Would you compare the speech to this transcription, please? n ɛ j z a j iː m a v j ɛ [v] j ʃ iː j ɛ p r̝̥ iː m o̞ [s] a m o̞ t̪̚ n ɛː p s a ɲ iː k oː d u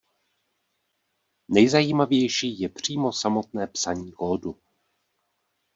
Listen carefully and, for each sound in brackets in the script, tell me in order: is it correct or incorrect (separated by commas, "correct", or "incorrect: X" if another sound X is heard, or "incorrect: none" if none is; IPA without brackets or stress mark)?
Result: incorrect: none, correct